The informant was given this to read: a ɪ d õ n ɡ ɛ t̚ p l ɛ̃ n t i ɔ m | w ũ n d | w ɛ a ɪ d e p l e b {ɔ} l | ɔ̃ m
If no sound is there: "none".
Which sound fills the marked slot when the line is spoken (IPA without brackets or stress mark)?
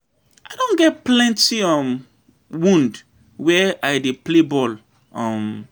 ɔ